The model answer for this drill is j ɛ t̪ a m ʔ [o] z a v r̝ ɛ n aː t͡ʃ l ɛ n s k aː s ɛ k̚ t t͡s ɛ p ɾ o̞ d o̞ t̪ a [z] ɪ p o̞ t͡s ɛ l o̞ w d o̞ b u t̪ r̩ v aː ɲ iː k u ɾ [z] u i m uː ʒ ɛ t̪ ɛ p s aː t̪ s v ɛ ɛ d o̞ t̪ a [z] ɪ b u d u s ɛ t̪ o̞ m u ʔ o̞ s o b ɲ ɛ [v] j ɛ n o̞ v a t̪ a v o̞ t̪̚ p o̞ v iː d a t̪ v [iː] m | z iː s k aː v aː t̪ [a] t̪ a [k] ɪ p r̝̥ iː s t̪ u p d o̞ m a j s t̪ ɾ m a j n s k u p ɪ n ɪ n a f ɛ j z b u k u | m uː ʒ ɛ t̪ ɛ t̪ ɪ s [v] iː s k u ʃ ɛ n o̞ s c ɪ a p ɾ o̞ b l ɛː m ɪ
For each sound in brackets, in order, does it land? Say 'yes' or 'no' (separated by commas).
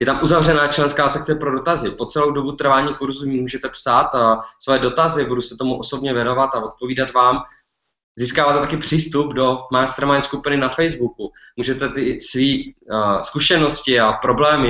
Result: no, yes, yes, yes, yes, no, no, yes, yes